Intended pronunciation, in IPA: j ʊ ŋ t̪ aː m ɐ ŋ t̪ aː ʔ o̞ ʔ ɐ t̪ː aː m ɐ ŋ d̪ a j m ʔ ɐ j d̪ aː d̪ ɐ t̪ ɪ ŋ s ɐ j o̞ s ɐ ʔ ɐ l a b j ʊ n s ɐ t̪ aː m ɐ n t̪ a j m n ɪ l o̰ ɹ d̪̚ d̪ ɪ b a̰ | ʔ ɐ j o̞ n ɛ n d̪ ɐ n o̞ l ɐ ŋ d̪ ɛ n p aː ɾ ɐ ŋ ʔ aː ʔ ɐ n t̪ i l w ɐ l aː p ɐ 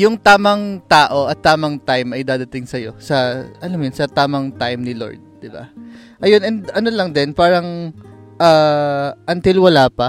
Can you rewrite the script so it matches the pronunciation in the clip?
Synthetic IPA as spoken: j ʊ ŋ t̪ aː m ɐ ŋ t̪ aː ʔ o̞ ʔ ɐ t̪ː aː m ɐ ŋ t̪ a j m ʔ ɐ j d̪ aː d̪ ɐ t̪ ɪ ŋ s ɐ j o̞ s ɐ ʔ ɐ l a m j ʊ n s ɐ t̪ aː m ɐ ŋ t̪ a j m n ɪ l o̰ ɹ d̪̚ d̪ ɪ b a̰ | ʔ ɐ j o̞ n ɛ n d̪ ɐ n o̞ l ɐ ŋ d̪ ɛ n p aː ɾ ɐ ŋ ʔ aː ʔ ɐ n t̪ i l w ɐ l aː p ɐ